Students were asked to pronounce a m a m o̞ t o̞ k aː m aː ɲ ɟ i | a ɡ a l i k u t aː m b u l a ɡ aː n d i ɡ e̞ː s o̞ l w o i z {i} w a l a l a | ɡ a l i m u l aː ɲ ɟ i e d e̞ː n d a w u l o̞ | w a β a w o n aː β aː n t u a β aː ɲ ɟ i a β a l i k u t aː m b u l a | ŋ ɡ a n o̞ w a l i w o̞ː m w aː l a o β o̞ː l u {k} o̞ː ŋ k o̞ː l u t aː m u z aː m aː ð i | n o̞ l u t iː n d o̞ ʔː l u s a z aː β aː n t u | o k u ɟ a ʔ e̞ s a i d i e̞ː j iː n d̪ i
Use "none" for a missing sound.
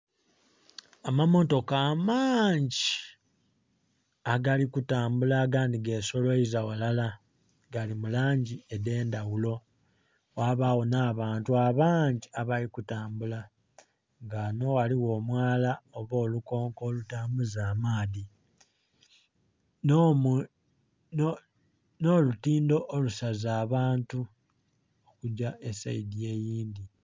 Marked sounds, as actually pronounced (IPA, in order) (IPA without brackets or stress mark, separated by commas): a, k